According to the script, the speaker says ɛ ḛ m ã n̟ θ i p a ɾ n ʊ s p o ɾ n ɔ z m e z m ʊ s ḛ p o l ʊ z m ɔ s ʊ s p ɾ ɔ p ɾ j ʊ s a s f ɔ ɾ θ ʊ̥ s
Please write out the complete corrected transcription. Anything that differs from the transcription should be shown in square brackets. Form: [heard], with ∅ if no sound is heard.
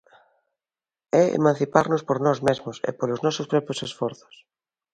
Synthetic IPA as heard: ɛ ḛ m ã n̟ θ i p a ɾ n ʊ s p o ɾ n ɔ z m e z m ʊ s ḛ p o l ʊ z [n] ɔ s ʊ s p ɾ ɔ p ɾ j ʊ s [e] s f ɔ ɾ θ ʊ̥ s